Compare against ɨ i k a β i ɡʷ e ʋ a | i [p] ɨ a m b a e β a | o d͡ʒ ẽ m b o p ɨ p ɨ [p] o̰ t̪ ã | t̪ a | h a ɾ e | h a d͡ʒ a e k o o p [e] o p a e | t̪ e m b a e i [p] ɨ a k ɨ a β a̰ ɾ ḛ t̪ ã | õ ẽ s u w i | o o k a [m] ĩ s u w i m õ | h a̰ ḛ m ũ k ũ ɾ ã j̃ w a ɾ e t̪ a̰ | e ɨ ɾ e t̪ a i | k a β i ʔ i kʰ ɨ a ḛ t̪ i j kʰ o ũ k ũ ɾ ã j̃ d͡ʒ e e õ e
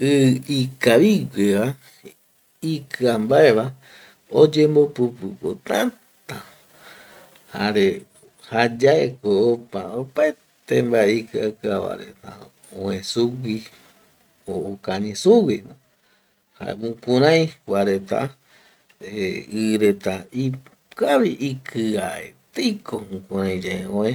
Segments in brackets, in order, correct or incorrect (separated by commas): incorrect, incorrect, incorrect, incorrect, incorrect